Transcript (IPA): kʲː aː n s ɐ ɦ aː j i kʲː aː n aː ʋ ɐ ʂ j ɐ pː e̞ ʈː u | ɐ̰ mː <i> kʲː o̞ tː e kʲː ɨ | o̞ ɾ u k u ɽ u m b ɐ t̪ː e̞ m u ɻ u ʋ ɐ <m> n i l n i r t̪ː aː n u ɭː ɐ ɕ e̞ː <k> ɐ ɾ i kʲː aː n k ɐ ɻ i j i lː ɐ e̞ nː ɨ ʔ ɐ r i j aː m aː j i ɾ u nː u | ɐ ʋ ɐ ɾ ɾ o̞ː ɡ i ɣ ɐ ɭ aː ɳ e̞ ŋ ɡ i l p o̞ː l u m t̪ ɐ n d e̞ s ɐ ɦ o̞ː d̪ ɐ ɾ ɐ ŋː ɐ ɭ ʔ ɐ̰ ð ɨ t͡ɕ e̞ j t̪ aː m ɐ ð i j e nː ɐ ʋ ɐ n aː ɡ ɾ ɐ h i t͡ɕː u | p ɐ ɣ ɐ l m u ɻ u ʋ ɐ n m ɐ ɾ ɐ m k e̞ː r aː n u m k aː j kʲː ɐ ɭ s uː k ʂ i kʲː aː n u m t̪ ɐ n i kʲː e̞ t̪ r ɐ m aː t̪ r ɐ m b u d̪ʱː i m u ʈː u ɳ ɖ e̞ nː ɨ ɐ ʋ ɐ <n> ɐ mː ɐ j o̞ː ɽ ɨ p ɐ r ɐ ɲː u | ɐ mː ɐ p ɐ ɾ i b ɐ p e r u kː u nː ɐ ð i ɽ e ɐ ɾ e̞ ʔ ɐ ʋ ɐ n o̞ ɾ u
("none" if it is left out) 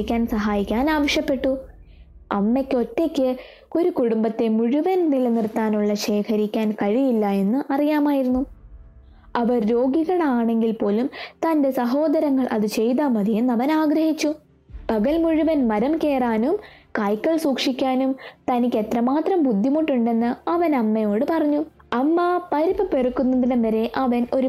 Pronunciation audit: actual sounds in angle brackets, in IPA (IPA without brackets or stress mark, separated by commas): e, n, kʰ, n